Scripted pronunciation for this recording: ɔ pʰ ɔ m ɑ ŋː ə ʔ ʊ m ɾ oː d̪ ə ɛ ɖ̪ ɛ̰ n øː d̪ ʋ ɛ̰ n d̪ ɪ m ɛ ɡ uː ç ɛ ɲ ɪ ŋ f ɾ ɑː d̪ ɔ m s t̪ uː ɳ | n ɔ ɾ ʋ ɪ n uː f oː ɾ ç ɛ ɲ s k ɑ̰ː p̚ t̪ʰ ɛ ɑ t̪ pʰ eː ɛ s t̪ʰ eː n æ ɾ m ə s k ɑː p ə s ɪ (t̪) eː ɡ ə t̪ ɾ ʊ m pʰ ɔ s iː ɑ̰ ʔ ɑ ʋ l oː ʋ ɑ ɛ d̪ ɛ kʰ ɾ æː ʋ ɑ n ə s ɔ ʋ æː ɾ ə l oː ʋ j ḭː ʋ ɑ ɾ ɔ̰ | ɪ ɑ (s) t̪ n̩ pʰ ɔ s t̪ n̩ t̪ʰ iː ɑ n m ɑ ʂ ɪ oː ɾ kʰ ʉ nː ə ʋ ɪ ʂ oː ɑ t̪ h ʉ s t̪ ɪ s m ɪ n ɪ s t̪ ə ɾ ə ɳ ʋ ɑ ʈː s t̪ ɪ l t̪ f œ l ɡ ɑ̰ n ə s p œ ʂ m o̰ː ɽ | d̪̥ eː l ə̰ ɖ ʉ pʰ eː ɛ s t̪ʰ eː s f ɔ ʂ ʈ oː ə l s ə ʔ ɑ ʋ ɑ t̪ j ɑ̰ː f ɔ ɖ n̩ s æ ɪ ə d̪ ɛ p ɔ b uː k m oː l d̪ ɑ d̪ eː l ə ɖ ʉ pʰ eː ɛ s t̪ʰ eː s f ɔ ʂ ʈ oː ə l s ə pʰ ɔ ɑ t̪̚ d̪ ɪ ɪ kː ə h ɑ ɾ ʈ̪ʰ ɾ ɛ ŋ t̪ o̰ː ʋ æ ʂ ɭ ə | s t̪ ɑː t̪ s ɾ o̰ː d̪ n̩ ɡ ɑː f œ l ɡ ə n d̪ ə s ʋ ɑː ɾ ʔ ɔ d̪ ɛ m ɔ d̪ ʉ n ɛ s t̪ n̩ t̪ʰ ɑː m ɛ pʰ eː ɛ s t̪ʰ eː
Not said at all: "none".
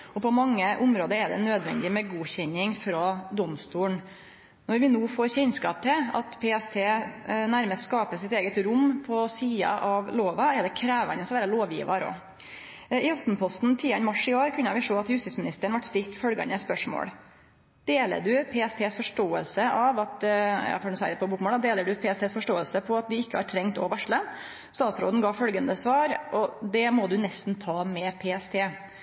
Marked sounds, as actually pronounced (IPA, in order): t̪, f

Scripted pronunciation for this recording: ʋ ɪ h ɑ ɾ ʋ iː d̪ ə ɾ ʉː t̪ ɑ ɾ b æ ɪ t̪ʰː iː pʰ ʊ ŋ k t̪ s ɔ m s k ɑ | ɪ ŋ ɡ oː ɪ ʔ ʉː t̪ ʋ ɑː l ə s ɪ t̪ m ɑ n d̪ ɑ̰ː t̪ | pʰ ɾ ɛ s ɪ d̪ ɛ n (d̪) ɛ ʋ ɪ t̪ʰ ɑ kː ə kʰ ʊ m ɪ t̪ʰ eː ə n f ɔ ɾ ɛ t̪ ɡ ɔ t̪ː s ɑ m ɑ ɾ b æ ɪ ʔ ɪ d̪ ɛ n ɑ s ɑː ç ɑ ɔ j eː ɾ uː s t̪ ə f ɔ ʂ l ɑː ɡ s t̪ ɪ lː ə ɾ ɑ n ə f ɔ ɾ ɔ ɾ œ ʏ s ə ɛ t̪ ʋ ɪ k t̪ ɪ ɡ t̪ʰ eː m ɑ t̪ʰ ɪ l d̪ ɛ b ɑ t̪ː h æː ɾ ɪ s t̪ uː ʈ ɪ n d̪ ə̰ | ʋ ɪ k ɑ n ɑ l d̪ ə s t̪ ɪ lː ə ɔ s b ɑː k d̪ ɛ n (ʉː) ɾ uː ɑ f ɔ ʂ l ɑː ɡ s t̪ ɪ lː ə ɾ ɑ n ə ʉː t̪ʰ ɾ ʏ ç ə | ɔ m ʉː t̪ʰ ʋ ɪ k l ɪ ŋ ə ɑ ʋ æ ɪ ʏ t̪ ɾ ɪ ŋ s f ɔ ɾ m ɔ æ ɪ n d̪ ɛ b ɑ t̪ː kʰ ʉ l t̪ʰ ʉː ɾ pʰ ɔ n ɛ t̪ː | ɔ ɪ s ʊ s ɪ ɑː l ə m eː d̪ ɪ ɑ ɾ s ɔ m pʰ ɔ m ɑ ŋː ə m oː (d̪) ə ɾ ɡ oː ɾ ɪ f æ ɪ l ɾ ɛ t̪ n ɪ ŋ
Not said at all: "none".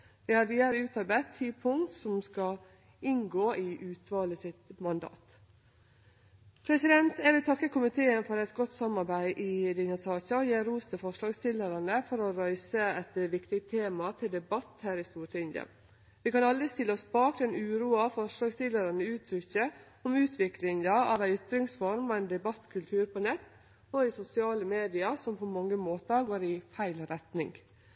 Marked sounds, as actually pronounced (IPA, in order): t̪, ʉː, t̪

